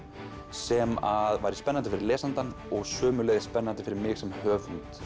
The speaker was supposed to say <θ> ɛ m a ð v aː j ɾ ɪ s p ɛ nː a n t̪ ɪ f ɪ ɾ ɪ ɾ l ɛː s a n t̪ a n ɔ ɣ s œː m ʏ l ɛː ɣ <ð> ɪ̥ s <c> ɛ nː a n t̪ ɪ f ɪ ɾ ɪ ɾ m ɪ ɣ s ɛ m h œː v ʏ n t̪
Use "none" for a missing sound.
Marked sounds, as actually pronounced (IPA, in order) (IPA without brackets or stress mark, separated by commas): s, ð, p